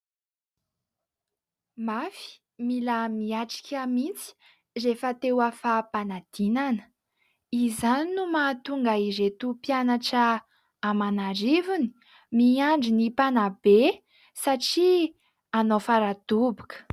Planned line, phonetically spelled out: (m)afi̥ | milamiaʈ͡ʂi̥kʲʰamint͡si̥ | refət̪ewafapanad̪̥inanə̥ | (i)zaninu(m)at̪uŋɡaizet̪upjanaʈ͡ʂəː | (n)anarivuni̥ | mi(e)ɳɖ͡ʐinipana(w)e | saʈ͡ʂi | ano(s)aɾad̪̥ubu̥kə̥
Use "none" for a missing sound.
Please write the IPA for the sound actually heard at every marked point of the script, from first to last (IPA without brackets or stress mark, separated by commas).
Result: m, i, m, m, a, b, f